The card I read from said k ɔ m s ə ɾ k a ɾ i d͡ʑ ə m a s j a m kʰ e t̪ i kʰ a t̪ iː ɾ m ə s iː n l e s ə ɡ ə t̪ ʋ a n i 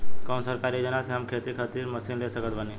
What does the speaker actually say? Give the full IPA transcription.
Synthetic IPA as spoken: k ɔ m s ə ɾ k a ɾ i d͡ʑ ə n a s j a m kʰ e t̪ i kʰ a t̪ iː ɾ m ə s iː n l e s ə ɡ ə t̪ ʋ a n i